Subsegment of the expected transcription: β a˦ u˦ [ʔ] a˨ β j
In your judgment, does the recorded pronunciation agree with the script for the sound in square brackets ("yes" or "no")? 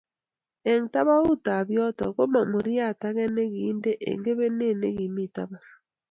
no